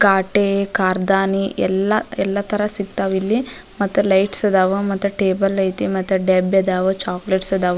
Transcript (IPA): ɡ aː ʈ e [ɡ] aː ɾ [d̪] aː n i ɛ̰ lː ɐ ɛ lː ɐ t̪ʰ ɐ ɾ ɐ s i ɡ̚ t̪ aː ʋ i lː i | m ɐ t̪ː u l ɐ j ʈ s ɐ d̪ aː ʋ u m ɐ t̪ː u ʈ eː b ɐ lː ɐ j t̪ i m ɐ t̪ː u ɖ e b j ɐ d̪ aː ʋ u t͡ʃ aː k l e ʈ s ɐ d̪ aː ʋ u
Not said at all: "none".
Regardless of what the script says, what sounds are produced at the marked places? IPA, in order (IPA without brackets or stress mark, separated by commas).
k, d̪